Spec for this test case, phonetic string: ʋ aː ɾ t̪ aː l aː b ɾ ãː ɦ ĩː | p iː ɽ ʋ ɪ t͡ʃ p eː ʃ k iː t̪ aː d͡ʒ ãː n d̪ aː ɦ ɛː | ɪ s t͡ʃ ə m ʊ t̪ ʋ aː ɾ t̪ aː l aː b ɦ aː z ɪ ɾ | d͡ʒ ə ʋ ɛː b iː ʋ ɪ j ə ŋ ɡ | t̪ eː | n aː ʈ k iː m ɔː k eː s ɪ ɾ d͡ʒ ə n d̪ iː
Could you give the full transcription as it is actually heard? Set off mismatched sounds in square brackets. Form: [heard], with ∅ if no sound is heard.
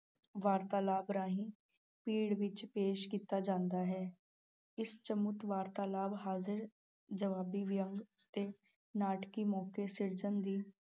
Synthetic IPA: ʋ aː ɾ t̪ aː l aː b ɾ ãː ɦ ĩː | p iː ɽ ʋ ɪ t͡ʃ p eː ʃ k iː t̪ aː d͡ʒ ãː n d̪ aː ɦ ɛː | ɪ s t͡ʃ ə m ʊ t̪ ʋ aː ɾ t̪ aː l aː b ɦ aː z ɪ ɾ | d͡ʒ ə ʋ [aː] b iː ʋ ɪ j ə ŋ ɡ | t̪ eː | n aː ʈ k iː m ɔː k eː s ɪ ɾ d͡ʒ ə n d̪ iː

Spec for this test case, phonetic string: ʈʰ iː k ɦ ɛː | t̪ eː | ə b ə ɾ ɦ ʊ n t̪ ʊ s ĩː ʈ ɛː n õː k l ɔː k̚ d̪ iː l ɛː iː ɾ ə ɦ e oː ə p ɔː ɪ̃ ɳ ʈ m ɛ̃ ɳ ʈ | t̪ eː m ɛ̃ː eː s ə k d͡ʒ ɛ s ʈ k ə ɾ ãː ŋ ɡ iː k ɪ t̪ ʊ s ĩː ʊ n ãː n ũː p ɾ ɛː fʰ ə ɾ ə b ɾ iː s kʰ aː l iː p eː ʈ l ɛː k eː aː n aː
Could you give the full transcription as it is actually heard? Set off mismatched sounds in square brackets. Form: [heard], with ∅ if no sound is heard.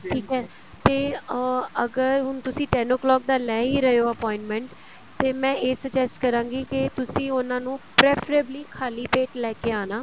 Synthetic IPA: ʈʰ iː k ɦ ɛː | t̪ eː | ə [ɡ] ə ɾ ɦ ʊ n t̪ ʊ s ĩː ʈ ɛː n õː k l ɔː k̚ d̪ [aː] l ɛː iː ɾ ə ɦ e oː ə p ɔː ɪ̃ ɳ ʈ m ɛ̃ ɳ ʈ | t̪ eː m ɛ̃ː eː s ə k d͡ʒ ɛ s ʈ k ə ɾ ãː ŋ ɡ iː k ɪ t̪ ʊ s ĩː ʊ n ãː n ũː p ɾ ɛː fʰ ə ɾ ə b [l] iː [∅] kʰ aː l iː p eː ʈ l ɛː k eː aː n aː

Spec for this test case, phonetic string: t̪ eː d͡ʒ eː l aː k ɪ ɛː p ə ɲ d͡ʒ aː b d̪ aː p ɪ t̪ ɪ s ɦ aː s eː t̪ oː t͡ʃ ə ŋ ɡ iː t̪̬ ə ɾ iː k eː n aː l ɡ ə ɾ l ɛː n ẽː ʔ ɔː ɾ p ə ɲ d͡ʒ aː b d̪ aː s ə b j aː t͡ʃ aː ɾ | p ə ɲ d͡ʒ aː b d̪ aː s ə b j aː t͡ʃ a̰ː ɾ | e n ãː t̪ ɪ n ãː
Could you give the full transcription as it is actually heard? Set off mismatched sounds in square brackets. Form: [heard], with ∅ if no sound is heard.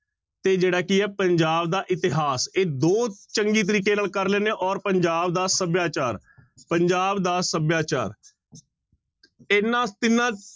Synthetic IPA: t̪ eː d͡ʒ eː [ɽ] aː k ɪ ɛː p ə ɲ d͡ʒ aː b d̪ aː [ʔ] ɪ t̪ ɪ [∅] ɦ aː s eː [d̪] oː t͡ʃ ə ŋ ɡ iː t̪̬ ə ɾ iː k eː n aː l [k] ə ɾ l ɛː n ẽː ʔ ɔː ɾ p ə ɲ d͡ʒ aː b d̪ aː s ə b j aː t͡ʃ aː ɾ | p ə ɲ d͡ʒ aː b d̪ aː s ə b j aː t͡ʃ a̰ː ɾ | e n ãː t̪ ɪ n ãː

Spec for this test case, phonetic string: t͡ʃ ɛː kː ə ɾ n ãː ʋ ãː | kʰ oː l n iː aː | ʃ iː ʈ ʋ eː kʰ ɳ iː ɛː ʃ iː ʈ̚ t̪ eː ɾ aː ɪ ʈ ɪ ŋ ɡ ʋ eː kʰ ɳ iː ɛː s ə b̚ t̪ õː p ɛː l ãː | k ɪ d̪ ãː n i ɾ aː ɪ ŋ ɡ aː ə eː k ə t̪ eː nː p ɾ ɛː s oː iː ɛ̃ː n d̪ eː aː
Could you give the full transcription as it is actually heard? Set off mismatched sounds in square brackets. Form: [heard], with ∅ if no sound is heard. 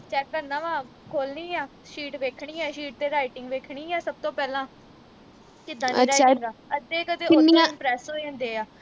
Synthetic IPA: t͡ʃ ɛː kː ə ɾ n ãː ʋ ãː | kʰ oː l n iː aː | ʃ iː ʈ ʋ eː kʰ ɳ iː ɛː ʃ iː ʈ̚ t̪ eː ɾ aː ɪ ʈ ɪ ŋ ɡ ʋ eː kʰ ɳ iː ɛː s ə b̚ t̪ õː p ɛː l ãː | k ɪ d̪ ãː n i ɾ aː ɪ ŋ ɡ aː ə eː k ə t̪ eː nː p ɾ ɛː s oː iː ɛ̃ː n d̪ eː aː

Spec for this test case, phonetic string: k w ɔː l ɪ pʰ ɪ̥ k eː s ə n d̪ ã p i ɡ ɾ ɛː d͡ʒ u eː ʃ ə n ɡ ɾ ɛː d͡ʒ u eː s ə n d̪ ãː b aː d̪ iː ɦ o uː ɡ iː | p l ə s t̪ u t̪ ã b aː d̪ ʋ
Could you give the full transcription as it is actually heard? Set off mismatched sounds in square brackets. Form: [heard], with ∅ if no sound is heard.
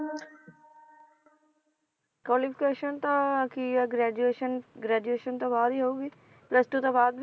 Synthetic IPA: k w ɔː l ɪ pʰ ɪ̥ k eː [ʃ] ə n [t̪] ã [k] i ɡ ɾ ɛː d͡ʒ u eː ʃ ə n ɡ ɾ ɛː d͡ʒ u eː [ʃ] ə n [t̪] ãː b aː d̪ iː ɦ o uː ɡ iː | p l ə s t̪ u t̪ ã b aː d̪ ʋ

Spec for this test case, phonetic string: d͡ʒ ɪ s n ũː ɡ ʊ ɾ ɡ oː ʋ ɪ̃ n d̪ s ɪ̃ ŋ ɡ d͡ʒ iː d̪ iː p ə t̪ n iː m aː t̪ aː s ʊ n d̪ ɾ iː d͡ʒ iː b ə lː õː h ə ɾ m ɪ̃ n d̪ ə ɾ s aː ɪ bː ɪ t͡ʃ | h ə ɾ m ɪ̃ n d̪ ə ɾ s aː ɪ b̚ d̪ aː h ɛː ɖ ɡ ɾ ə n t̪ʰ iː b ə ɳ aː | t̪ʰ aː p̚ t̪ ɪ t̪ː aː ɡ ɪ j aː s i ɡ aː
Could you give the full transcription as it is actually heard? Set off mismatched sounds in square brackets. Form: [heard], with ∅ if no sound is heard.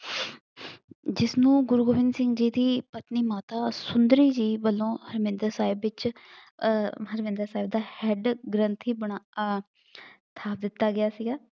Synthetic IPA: d͡ʒ ɪ s n ũː ɡ ʊ ɾ ɡ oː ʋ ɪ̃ n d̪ s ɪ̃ ŋ ɡ d͡ʒ iː d̪ iː p ə t̪ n iː m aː t̪ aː s ʊ n d̪ ɾ iː d͡ʒ iː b ə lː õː h ə ɾ m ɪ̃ n d̪ ə ɾ s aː ɪ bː ɪ t͡ʃ | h ə ɾ m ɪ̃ n d̪ ə ɾ s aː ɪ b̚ d̪ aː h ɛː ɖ ɡ ɾ ə n t̪ʰ iː b ə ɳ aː | t̪ʰ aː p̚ [d̪] ɪ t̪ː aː ɡ ɪ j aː s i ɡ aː

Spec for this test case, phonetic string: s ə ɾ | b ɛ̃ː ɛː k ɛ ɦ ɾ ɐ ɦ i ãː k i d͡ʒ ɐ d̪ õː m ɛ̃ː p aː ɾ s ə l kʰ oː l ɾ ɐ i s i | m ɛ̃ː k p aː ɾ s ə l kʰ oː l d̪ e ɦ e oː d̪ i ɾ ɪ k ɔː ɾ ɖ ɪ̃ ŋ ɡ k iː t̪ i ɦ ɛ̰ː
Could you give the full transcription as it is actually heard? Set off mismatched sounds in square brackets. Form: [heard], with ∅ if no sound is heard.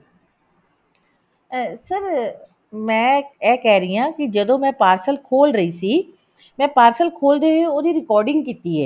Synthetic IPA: s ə ɾ | [m] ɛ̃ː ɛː k ɛ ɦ ɾ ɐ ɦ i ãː k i d͡ʒ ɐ d̪ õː m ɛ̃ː p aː ɾ s ə l kʰ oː l ɾ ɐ i s i | m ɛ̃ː [∅] p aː ɾ s ə l kʰ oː l d̪ e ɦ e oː d̪ i ɾ ɪ k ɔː ɾ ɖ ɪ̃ ŋ ɡ k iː t̪ i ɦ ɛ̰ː

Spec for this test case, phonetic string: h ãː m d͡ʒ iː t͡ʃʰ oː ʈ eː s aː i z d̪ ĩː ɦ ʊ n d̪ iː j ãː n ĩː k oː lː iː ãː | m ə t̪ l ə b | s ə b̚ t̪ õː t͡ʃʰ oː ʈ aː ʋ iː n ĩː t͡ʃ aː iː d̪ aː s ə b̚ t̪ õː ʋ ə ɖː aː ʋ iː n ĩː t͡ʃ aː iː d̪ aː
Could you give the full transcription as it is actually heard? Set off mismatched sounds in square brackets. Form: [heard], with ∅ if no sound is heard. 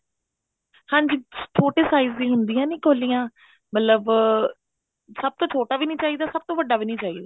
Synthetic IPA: h ãː [ɲ] d͡ʒ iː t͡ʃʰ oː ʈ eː s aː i z d̪ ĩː ɦ ʊ n d̪ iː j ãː n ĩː k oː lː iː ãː | m ə t̪ l ə b | s ə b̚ t̪ õː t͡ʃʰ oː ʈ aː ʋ iː n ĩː t͡ʃ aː iː d̪ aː s ə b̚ t̪ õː ʋ ə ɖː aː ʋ iː n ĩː t͡ʃ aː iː d̪ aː

